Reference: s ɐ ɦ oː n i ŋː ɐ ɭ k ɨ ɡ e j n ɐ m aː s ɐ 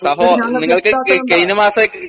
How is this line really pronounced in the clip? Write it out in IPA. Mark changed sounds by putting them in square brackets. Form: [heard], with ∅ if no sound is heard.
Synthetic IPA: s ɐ ɦ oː n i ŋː ɐ ɭ k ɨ [k] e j n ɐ m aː s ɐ